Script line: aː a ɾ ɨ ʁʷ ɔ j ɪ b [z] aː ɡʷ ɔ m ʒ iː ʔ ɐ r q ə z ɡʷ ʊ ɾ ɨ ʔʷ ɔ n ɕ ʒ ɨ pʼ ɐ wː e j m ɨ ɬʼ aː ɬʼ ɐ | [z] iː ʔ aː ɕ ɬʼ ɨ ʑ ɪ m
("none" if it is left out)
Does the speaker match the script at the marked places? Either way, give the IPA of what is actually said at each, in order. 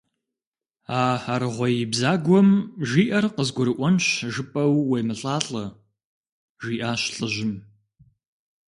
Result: z, ʒ

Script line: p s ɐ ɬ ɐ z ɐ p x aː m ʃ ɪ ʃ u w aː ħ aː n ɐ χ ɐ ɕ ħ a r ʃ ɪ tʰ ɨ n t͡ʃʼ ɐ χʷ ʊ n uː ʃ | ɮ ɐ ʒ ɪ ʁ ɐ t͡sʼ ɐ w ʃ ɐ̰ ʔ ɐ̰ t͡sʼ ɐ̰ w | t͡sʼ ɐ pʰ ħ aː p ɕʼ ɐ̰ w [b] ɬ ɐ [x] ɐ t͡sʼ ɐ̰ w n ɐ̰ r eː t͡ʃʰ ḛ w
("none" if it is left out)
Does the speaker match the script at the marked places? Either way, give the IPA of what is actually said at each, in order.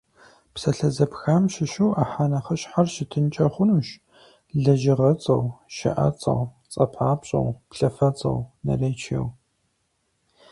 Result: p, f

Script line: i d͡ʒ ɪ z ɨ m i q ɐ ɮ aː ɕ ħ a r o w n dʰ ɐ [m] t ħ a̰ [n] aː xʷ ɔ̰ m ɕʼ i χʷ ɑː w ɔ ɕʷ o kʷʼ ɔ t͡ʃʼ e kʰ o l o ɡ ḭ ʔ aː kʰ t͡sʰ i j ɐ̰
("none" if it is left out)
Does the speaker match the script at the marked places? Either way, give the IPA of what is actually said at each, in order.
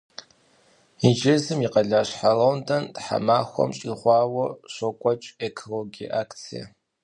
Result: n, m

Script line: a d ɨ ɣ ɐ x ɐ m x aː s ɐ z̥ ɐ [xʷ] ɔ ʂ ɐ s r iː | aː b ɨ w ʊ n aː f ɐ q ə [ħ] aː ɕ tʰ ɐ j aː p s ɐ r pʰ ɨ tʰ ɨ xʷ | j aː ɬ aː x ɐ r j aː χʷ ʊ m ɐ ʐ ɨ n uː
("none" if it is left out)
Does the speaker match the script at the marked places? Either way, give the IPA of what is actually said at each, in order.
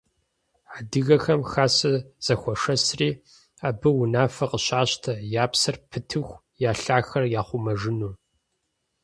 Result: xʷ, ɕ

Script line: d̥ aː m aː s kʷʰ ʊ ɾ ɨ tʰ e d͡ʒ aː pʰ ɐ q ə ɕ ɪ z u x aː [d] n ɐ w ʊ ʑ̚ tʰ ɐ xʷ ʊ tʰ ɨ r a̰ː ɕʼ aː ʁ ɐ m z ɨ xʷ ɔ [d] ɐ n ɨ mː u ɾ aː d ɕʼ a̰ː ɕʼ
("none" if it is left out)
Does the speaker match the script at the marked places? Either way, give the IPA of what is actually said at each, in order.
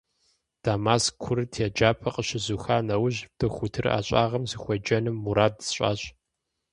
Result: none, d͡ʒ

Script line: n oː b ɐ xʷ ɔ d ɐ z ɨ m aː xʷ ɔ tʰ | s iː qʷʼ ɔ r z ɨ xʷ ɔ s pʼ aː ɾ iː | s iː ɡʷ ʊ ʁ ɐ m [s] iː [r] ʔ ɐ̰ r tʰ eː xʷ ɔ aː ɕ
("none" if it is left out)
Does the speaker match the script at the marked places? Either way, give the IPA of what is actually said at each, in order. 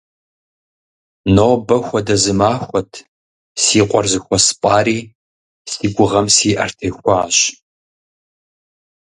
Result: s, none

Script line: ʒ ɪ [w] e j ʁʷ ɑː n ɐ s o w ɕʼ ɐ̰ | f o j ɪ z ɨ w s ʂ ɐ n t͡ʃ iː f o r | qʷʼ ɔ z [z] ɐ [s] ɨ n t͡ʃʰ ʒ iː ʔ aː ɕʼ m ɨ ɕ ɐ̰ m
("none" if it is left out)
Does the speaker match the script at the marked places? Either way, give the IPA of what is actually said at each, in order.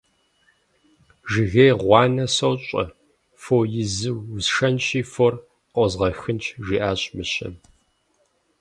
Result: ɣ, ʁ, x

